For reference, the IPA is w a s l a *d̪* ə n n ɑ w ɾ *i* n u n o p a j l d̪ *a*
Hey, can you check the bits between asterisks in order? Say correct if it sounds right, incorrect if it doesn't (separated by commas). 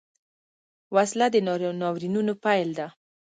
correct, correct, correct